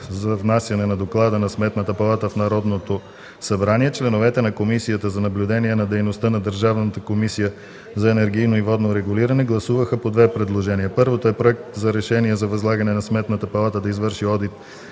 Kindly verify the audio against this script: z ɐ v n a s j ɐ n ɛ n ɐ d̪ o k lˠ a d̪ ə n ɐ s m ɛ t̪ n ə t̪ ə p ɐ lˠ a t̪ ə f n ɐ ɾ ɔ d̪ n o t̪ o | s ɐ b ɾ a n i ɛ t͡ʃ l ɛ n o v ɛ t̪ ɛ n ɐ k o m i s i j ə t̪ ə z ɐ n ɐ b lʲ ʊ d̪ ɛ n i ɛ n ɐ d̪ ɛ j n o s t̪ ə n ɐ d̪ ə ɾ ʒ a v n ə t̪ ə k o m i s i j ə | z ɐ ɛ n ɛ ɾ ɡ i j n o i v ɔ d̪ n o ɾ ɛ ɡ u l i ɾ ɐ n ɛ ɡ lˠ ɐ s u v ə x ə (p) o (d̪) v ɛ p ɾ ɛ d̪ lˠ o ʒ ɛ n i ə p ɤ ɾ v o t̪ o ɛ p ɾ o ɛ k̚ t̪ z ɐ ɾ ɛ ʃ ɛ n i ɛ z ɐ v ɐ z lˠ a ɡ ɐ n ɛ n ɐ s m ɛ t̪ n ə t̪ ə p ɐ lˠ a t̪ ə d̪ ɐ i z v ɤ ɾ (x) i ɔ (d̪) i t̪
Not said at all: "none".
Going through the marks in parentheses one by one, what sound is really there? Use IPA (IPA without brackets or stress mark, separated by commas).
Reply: p, d̪, ʃ, d̪